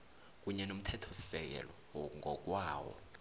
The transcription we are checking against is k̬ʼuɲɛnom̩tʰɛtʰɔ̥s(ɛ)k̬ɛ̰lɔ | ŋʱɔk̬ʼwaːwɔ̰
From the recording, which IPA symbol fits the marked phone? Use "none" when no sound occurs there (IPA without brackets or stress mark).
ɛ